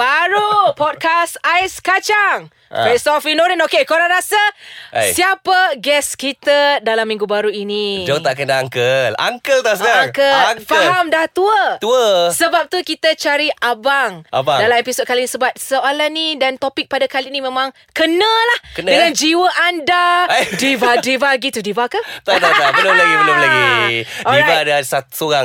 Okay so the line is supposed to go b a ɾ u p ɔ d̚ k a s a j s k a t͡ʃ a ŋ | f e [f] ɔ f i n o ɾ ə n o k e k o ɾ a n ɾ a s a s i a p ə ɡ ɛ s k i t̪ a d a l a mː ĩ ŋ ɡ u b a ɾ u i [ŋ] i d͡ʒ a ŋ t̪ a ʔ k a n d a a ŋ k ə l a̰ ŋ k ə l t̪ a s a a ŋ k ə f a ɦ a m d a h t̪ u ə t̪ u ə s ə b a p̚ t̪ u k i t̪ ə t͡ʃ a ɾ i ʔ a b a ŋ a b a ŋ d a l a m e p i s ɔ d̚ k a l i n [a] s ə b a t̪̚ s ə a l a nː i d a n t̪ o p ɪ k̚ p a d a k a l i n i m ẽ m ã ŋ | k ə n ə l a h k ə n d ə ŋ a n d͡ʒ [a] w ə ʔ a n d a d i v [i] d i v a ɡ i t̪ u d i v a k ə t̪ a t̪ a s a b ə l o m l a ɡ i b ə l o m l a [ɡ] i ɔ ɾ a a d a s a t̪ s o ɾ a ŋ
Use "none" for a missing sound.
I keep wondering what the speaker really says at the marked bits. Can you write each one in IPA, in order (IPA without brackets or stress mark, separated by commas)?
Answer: s, n, i, i, a, ɡ